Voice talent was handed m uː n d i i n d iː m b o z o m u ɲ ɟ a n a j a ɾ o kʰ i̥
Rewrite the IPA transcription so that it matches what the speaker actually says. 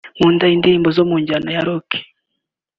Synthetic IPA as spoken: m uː n d a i n d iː m b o z o m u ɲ ɟ a n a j a ɾ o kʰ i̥

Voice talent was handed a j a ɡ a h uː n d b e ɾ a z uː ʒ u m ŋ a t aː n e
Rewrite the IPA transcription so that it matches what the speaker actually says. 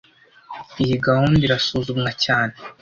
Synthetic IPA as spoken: i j i ɡ a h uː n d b i ɾ a s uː z u m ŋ a c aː n e

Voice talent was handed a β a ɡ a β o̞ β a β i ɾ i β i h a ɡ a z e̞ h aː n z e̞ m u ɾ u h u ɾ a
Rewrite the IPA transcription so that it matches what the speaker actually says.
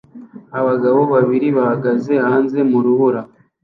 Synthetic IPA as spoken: a β a ɡ a β o̞ β a β i ɾ i β a h a ɡ a z e̞ h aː n z e̞ m u ɾ u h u ɾ a

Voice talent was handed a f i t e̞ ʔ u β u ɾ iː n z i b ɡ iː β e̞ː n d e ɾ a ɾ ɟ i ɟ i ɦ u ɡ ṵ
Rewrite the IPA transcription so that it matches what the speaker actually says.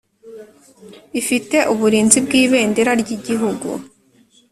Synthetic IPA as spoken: i f i t e̞ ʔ u β u ɾ iː n z i b ɡ iː β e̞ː n d e ɾ a ɾ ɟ i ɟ i ɦ u ɡ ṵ

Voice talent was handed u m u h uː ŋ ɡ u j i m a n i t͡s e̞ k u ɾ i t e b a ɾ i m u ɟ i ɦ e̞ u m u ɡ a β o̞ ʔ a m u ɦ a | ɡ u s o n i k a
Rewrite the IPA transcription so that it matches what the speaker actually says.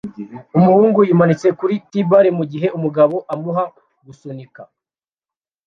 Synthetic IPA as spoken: u m u h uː ŋ ɡ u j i m a n i t͡s e̞ k u ɾ i t i b a ɾ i m u ɟ i ɦ e̞ u m u ɡ a β o̞ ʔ a m u ɦ a | ɡ u s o n i k a

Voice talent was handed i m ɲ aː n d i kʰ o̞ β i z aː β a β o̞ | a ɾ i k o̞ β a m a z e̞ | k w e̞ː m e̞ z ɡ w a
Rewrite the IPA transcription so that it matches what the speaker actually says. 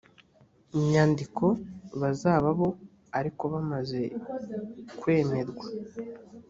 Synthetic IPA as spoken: i m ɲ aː n d i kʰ o̞ β a z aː β a β o̞ | a ɾ i k o̞ β a m a z e̞ | k w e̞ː m e̞ z ɡ w a

